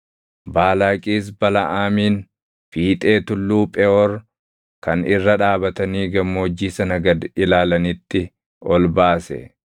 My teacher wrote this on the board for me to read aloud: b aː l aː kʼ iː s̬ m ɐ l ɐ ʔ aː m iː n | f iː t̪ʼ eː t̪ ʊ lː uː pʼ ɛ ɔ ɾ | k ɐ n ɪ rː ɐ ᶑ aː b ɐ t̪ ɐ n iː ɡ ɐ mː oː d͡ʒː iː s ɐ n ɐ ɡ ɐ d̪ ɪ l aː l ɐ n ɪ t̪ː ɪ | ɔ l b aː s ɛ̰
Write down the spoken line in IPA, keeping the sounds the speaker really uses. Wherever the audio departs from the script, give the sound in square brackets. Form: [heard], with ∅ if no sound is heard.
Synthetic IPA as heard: b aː l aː kʼ iː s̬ [b] ɐ l ɐ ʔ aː m iː n | f iː t̪ʼ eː t̪ ʊ lː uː pʼ ɛ ɔ ɾ | k ɐ n ɪ rː ɐ ᶑ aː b ɐ t̪ ɐ n iː ɡ ɐ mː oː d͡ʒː iː s ɐ n ɐ ɡ ɐ d̪ ɪ l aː l ɐ n ɪ t̪ː ɪ | ɔ l b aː s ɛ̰